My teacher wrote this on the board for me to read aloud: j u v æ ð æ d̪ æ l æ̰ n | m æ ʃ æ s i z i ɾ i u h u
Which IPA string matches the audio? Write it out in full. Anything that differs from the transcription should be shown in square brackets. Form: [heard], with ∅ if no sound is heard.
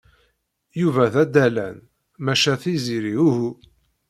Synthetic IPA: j u v æ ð æ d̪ æ l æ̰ n | m æ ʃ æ [θ] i z i ɾ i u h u

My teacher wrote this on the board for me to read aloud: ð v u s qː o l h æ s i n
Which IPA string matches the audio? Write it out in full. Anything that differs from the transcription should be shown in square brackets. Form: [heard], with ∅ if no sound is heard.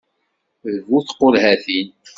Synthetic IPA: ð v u [θ] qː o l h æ [θ] i n

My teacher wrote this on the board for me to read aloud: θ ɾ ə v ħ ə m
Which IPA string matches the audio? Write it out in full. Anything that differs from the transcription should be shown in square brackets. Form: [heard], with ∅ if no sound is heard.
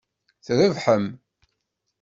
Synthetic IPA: θ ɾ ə v ħ ə m

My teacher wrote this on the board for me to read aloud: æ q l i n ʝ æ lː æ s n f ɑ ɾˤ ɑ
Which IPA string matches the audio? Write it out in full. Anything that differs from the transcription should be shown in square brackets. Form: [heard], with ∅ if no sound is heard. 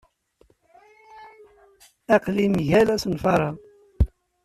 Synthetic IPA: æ q l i [m] ʝ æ [l] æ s n f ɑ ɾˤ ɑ

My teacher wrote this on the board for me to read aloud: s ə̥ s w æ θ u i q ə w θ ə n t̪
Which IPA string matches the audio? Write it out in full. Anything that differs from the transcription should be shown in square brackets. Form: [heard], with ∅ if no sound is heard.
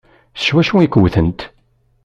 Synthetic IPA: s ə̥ [ʃ] w æ [ʃ] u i [k] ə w θ ə n t̪

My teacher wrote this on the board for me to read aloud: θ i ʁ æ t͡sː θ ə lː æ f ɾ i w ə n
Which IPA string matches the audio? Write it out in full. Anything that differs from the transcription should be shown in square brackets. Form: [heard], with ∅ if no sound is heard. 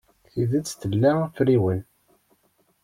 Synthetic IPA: θ i [ð] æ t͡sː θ ə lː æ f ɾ i w ə n

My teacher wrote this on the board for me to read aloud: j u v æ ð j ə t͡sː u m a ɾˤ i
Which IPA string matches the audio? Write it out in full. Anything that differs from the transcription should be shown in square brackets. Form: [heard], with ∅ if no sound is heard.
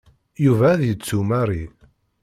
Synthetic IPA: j u v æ ð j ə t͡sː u m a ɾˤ i

